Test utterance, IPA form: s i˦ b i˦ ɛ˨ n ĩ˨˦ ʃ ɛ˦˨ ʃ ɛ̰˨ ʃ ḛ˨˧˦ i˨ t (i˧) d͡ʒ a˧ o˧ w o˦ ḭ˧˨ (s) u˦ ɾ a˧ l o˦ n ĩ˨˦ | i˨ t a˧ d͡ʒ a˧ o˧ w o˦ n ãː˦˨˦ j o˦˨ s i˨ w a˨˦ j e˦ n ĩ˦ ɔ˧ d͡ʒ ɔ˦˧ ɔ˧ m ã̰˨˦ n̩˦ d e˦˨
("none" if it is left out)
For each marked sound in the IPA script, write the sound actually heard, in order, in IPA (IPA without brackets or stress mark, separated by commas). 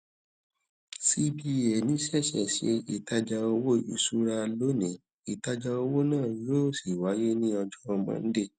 a˧, s